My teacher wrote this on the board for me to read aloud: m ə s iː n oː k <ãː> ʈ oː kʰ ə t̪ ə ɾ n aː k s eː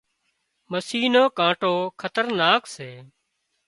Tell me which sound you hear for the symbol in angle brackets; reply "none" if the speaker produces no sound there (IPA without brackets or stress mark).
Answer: ãː